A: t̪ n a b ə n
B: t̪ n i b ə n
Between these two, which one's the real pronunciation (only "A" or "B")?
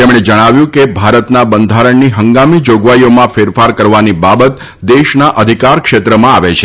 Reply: A